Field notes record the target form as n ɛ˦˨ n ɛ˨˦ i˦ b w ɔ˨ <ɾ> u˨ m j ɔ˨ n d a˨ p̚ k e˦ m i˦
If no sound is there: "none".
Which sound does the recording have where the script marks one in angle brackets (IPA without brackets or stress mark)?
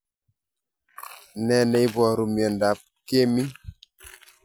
ɾ